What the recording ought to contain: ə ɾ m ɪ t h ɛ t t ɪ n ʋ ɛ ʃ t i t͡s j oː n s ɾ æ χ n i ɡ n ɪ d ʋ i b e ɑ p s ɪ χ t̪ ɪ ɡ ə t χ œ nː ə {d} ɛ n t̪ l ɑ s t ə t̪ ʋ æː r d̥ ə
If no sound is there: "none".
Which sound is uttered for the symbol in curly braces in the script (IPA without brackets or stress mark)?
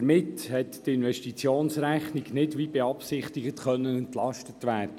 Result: n